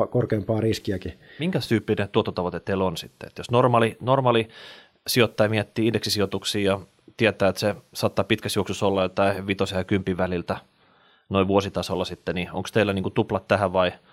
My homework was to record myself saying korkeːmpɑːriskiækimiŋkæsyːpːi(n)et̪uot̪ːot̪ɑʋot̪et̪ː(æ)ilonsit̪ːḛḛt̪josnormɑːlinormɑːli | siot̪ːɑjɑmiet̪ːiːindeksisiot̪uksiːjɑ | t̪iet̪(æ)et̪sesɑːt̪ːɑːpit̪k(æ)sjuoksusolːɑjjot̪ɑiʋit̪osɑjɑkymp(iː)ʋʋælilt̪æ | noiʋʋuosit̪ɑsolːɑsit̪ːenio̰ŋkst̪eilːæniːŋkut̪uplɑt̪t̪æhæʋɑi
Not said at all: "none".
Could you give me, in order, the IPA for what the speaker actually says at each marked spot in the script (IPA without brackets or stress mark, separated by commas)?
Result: n, e, æː, æ, i